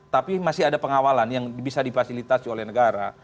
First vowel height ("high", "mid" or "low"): low